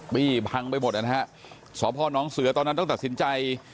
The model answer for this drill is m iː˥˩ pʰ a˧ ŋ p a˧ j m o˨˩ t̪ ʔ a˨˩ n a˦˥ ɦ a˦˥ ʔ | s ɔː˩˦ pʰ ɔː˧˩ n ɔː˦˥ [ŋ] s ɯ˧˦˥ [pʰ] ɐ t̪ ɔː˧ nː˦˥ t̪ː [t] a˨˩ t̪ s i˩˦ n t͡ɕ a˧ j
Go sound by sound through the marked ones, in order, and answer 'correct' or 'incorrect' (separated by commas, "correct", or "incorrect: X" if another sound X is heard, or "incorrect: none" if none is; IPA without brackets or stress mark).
correct, incorrect: none, correct